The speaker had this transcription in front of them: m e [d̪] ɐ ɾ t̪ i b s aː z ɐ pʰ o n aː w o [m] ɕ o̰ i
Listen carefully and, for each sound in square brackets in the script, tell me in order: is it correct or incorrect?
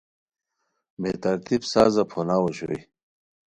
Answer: incorrect: t̪, incorrect: none

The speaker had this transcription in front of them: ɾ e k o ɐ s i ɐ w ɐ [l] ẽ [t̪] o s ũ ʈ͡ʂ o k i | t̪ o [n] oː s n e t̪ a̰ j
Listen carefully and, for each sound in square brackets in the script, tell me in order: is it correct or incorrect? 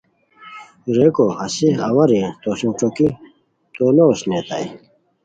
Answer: incorrect: ɾ, correct, correct

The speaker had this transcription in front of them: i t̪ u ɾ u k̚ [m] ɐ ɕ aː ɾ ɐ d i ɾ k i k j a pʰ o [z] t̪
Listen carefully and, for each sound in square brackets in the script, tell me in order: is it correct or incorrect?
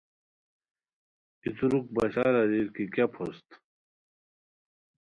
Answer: incorrect: b, incorrect: s

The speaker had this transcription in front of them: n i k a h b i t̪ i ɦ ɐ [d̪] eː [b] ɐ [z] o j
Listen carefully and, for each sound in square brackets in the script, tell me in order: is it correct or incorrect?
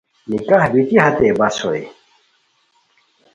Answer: incorrect: t̪, correct, incorrect: s

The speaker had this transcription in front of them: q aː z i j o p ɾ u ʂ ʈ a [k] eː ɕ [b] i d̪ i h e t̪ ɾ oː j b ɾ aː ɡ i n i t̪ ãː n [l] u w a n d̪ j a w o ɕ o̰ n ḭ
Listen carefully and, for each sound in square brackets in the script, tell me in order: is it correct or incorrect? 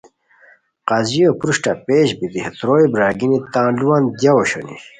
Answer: incorrect: p, correct, correct

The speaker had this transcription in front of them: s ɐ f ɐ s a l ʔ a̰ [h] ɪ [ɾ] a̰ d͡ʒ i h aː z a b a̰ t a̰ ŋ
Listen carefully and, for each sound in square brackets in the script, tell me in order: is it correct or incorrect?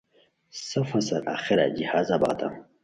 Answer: incorrect: x, correct

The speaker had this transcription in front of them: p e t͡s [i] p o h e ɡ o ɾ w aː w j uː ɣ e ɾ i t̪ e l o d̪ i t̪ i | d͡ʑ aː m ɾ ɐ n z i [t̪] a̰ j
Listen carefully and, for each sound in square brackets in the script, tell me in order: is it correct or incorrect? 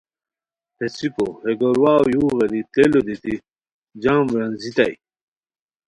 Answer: correct, correct

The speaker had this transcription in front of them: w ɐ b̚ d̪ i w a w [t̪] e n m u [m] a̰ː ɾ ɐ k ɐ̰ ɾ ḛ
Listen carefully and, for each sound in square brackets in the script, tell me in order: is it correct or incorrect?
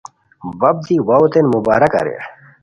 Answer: correct, incorrect: b

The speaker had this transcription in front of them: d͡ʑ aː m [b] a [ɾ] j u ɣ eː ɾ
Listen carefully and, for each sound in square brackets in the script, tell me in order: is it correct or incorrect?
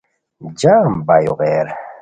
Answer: correct, incorrect: none

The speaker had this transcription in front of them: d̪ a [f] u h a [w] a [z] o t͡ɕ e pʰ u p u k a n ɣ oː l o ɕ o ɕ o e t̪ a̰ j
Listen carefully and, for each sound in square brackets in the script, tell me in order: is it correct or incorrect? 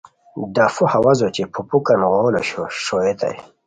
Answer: correct, correct, correct

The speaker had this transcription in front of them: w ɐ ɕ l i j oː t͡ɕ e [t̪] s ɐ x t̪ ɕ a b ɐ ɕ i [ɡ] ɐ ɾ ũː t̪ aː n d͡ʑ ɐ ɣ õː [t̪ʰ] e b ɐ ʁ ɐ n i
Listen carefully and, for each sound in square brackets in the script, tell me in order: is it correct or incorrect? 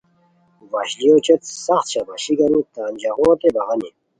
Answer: correct, correct, incorrect: t̪

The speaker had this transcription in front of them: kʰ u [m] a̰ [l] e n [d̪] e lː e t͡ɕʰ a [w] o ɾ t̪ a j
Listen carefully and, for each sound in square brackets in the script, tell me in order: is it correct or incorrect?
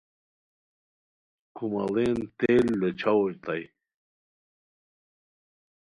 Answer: correct, correct, incorrect: t̪, correct

